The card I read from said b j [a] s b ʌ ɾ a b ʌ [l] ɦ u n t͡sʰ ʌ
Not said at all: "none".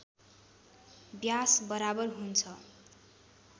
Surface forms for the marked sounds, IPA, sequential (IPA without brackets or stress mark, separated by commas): a, r